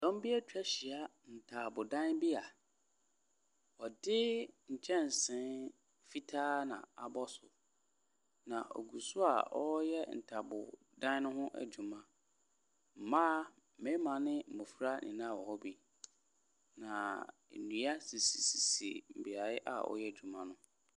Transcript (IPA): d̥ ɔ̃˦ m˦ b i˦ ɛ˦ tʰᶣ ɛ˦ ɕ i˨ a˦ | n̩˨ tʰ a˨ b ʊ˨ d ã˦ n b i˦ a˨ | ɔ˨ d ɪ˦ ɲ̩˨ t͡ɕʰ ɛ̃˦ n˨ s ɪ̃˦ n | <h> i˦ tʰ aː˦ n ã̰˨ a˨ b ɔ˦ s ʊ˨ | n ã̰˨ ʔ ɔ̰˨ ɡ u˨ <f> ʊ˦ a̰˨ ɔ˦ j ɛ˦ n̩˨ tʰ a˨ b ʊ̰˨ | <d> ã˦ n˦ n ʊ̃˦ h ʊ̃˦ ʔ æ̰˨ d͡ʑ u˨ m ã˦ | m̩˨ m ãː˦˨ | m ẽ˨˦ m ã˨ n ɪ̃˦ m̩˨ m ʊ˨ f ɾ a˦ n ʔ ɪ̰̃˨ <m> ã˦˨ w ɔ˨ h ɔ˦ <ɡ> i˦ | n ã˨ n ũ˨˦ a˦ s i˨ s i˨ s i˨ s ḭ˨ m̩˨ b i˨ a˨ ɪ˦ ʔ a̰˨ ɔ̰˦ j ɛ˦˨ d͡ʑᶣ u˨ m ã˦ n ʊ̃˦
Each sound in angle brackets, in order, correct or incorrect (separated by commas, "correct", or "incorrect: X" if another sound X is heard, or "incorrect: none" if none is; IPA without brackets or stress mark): incorrect: f, incorrect: s, correct, incorrect: n, incorrect: b